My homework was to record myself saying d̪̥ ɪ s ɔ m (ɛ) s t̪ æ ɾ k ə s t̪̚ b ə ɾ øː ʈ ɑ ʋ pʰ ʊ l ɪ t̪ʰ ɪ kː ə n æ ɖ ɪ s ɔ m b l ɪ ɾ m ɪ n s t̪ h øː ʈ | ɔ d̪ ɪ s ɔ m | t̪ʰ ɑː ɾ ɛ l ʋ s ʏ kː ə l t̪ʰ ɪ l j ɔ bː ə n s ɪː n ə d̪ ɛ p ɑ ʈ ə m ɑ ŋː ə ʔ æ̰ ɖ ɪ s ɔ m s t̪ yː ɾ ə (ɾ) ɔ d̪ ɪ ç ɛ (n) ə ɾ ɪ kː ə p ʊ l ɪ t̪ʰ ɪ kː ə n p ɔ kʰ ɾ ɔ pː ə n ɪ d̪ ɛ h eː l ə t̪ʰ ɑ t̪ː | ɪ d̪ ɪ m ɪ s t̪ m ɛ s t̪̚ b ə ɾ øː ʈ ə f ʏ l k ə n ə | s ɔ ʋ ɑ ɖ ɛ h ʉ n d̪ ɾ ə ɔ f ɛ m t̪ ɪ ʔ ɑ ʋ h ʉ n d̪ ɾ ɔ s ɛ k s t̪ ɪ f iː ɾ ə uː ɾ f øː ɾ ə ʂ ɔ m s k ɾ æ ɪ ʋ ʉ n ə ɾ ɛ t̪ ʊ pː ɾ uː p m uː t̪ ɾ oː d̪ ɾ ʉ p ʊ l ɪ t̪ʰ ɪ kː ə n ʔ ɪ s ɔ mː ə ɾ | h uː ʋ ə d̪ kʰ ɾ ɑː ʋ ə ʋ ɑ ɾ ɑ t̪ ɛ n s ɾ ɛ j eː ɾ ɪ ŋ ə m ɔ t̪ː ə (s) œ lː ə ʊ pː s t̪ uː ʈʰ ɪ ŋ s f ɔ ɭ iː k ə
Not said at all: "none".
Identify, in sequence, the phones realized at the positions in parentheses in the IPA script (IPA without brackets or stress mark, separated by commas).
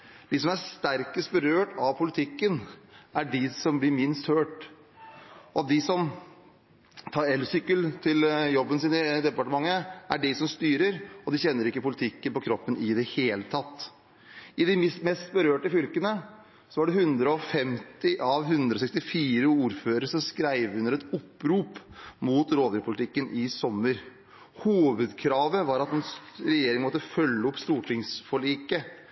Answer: æ, ɾ, nː, f